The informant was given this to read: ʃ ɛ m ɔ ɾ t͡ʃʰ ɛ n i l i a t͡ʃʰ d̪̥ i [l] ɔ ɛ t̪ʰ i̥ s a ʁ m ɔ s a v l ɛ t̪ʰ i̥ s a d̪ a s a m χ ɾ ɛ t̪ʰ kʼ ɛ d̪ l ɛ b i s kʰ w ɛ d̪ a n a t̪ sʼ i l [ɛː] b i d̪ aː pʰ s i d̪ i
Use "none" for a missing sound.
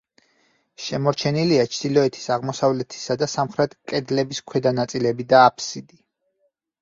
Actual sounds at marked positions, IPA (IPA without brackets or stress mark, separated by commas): l, ɛ